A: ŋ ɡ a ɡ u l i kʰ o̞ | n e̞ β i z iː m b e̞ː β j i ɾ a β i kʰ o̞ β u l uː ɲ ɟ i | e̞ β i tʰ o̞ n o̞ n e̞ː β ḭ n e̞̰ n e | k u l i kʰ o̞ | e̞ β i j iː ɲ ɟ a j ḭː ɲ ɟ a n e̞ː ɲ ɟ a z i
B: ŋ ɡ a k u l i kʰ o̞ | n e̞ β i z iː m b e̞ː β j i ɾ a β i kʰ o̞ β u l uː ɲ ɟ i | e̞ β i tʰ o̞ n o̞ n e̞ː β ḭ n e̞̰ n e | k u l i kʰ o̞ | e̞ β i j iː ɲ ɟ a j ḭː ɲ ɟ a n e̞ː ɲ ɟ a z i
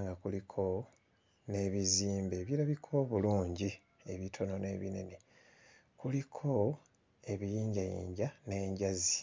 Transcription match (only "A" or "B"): B